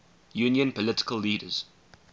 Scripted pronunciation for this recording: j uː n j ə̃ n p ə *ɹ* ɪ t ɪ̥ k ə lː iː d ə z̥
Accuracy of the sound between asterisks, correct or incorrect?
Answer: incorrect